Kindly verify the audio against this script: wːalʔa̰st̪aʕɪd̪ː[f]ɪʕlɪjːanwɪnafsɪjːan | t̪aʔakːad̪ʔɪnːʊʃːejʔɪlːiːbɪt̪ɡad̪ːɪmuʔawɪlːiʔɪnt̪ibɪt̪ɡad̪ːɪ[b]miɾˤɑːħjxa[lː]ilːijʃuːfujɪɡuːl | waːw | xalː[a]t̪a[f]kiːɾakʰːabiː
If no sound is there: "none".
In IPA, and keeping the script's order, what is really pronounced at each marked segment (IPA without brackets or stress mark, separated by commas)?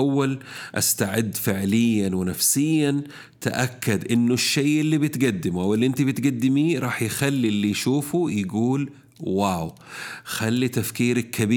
f, none, lː, i, f